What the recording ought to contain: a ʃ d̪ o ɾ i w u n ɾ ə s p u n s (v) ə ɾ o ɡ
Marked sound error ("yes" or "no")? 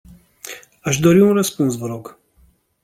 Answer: no